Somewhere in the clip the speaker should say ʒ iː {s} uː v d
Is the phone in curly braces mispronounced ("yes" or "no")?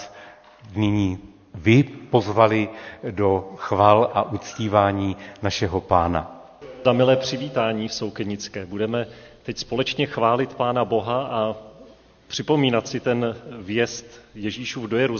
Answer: yes